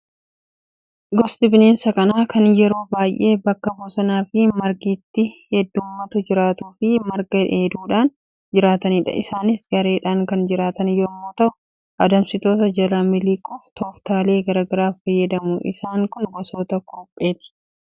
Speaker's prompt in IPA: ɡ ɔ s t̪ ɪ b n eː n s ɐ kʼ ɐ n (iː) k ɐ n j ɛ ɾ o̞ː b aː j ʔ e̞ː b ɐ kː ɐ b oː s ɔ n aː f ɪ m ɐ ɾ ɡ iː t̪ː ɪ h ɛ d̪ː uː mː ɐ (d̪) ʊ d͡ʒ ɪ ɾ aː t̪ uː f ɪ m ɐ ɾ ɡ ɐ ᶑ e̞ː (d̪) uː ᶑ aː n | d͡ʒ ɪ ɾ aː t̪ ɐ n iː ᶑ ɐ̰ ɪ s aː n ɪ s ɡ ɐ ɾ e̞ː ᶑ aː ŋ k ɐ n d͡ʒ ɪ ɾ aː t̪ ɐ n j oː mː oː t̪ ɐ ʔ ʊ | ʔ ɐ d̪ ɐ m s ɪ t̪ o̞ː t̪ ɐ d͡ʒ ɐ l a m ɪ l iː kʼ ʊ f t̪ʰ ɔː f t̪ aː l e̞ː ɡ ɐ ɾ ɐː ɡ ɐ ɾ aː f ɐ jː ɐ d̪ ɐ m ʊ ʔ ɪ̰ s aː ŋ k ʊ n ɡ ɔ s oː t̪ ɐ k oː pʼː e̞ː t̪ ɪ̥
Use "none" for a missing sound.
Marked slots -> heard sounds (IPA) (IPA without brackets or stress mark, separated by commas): aː, t̪, d̪